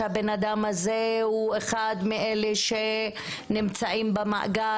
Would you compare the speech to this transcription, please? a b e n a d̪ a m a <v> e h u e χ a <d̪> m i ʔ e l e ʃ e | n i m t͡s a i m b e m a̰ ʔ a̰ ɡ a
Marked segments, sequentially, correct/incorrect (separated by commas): incorrect, correct